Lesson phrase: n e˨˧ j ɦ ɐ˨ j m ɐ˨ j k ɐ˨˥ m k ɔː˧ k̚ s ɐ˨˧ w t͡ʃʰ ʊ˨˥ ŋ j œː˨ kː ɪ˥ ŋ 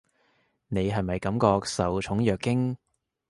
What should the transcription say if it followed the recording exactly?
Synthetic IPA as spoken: n e˨˧ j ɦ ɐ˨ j m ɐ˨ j k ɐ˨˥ m k ɔː˧ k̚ s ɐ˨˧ w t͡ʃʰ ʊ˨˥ ŋ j œː˨ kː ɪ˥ ŋ